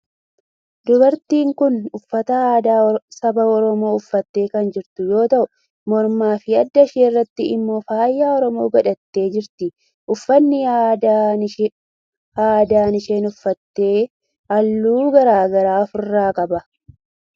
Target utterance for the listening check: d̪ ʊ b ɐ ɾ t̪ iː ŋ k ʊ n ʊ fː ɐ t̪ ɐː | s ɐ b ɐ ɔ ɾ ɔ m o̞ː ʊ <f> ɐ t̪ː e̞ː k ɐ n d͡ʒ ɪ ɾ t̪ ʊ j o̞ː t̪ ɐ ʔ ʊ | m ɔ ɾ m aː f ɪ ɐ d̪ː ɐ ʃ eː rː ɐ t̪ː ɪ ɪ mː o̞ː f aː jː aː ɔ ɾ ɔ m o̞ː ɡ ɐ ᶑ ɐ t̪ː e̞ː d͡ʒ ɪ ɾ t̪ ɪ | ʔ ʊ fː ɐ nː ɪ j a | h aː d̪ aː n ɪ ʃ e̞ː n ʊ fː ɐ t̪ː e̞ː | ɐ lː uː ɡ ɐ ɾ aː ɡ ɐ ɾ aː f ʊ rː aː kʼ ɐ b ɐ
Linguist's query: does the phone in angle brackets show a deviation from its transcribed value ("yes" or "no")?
yes